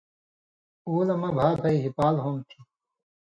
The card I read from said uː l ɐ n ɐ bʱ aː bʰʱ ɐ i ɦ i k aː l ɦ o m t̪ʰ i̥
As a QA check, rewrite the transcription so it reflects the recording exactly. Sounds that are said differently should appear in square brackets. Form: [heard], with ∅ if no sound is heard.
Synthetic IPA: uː l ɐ [m] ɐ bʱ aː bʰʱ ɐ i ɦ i [p] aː l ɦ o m t̪ʰ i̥